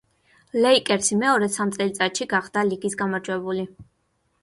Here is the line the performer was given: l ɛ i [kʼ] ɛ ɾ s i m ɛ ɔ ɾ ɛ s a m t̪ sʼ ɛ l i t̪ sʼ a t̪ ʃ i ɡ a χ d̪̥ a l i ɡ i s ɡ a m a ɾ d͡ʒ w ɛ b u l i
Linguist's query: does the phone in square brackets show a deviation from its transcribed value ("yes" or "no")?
no